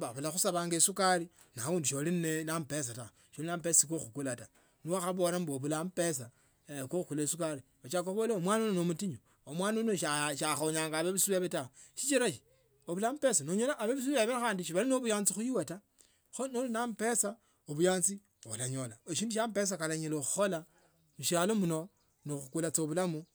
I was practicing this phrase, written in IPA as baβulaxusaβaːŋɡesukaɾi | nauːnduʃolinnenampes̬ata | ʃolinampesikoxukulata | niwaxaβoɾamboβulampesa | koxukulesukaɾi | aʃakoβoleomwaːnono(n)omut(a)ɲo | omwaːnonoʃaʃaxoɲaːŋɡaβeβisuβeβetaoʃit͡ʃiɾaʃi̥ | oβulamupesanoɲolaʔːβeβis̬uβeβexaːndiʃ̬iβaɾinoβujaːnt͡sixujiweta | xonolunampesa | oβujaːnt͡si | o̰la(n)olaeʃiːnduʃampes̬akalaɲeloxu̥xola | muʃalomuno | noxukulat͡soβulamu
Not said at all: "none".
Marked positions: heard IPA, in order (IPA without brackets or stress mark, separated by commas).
n, i, ɲ